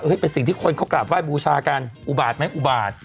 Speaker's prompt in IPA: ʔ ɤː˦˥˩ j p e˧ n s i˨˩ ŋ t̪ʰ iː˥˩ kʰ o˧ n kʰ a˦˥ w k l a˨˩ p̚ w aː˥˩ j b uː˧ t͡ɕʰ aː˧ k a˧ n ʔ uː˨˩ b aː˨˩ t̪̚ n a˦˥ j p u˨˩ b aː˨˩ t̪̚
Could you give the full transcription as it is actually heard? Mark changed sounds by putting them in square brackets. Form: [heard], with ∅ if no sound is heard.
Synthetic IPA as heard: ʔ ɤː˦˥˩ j p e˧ n s i˨˩ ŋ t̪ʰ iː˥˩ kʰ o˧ n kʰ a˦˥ w k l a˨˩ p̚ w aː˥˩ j b uː˧ t͡ɕʰ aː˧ k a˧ n ʔ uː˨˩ b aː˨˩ t̪̚ [m] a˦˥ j [ʔ] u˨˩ b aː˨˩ t̪̚